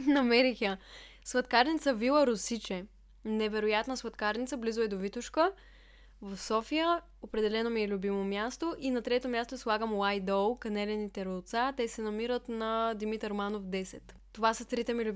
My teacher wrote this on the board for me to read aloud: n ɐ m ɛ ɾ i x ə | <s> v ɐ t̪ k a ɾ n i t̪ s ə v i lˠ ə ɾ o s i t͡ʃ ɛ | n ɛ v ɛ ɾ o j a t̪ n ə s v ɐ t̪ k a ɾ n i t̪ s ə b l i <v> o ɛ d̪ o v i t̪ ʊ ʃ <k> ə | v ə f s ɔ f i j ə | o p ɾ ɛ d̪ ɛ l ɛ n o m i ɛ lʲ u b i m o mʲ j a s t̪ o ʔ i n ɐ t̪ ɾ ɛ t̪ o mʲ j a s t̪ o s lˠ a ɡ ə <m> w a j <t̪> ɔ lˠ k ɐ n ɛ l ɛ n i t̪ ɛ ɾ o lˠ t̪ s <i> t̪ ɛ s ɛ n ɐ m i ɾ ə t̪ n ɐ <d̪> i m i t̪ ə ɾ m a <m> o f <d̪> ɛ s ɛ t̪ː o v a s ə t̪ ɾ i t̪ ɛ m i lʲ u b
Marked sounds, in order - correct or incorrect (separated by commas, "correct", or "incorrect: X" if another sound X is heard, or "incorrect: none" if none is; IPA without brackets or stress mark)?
correct, incorrect: z, correct, correct, incorrect: d̪, incorrect: a, correct, incorrect: n, correct